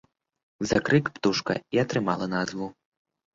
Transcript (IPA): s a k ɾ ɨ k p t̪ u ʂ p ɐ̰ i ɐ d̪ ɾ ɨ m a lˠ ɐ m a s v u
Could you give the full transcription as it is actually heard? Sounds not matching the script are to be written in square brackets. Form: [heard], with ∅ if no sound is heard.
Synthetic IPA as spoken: [z] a k ɾ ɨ k p t̪ u ʂ [k] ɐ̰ i ɐ [t̪] ɾ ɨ m a lˠ ɐ [n] a [z] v u